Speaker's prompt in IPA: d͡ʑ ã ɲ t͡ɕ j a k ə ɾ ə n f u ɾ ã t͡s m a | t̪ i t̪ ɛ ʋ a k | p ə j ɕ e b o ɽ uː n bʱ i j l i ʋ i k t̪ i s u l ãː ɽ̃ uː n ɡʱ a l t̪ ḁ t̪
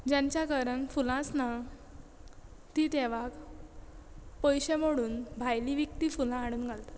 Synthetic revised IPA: d͡ʑ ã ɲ t͡ɕ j a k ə ɾ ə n f u l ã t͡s n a | t̪ i t̪ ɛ ʋ a k | p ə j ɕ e m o ɽ uː n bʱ a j l i ʋ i k t̪ i f u l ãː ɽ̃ uː n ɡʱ a l t̪ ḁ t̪

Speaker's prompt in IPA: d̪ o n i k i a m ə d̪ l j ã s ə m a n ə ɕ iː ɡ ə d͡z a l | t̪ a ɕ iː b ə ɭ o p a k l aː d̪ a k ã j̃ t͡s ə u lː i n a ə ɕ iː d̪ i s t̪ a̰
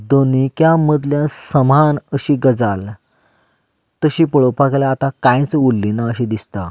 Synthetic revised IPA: d̪ o n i k j a m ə d̪ l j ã s ə m a n ə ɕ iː ɡ ə d͡z a l | t̪ ə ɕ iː p ə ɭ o p a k l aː t̪ a k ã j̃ t͡s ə u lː i n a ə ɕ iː d̪ i s t̪ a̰

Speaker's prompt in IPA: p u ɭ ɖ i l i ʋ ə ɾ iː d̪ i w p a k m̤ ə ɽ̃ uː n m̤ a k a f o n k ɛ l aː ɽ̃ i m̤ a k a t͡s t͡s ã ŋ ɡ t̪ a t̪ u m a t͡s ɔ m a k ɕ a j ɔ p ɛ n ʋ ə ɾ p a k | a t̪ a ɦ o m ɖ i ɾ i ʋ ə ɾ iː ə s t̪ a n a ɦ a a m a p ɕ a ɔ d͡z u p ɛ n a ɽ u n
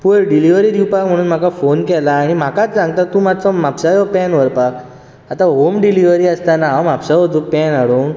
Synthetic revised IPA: p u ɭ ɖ i l i ʋ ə ɾ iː d̪ i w p a k m̤ ə ɽ̃ uː n m̤ a k a f o n k ɛ l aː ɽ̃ i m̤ a k a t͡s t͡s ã ŋ ɡ t̪ a t̪ u m a t͡s ɔ m a p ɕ a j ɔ p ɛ n ʋ ə ɾ p a k | a t̪ a ɦ o m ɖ i l i ʋ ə ɾ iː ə s t̪ a n a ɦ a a m a p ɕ a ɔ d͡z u p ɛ n a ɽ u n

